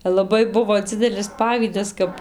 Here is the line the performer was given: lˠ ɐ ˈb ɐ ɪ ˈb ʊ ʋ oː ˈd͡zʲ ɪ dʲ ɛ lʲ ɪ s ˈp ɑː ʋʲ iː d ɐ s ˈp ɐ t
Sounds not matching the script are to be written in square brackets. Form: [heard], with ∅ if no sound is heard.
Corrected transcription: lˠ ɐ ˈb ɐ ɪ ˈb ʊ ʋ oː ˈd͡zʲ ɪ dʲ ɛ lʲ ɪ s ˈp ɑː ʋʲ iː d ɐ s [ˈk] ɐ [p]